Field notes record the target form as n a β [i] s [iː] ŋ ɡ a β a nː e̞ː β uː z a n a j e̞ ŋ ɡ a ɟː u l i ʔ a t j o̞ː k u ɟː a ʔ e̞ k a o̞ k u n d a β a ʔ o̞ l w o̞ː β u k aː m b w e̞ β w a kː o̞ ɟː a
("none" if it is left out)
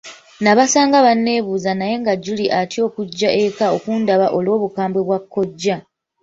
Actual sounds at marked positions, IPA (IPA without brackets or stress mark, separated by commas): a, aː